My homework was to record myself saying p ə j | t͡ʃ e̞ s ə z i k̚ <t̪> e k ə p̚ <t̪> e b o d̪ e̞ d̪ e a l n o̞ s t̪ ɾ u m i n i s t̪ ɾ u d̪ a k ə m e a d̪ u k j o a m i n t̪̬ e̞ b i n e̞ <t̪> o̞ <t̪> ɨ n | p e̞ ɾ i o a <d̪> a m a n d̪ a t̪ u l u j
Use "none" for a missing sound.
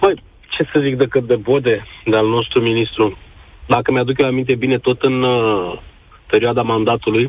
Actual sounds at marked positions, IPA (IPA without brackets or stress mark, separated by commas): d̪, d̪, t̪, t̪, d̪